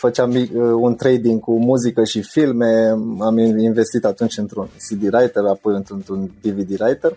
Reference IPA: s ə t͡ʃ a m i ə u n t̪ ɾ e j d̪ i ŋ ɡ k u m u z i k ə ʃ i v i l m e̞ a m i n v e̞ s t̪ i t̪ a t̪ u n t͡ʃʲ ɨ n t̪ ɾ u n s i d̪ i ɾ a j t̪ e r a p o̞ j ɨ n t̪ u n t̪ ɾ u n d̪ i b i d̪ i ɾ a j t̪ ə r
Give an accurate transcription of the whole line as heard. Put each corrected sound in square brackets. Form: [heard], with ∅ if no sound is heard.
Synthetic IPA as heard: [f] ə t͡ʃ a m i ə u n t̪ ɾ e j d̪ i ŋ ɡ k u m u z i k ə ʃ i [f] i l m e̞ a m i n v e̞ s t̪ i t̪ a t̪ u n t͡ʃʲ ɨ n t̪ ɾ u n s i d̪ i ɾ a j t̪ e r a p o̞ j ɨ n t̪ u n t̪ ɾ u n d̪ i [v] i d̪ i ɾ a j t̪ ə r